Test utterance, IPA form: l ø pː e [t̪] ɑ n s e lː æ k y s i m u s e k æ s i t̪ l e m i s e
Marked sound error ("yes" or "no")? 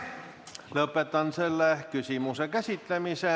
no